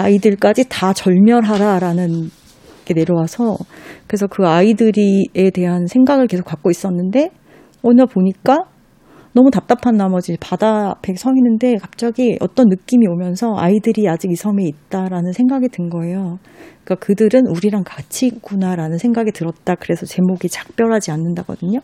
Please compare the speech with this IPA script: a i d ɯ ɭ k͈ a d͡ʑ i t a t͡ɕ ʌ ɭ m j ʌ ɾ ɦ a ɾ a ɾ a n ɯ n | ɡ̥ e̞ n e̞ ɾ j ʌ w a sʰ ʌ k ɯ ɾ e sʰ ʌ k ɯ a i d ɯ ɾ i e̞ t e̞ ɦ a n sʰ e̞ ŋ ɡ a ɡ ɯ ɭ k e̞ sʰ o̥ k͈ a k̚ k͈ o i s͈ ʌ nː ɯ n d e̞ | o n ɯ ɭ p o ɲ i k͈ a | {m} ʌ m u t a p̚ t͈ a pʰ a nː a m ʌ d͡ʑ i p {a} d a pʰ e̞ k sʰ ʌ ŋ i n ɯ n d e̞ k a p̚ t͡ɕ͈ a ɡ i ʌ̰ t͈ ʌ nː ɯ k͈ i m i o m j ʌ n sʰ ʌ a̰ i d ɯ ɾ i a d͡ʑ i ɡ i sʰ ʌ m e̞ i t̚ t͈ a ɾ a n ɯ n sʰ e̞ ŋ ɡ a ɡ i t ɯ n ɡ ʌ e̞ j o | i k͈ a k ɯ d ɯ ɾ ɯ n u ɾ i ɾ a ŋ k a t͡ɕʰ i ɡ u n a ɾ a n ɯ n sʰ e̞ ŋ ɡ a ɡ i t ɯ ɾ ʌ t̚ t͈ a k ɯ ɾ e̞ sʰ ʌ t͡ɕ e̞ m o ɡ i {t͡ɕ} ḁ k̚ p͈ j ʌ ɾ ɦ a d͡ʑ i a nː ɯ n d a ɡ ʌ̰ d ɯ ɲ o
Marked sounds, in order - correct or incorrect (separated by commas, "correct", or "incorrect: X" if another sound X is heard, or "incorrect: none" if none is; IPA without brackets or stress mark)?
incorrect: n, correct, correct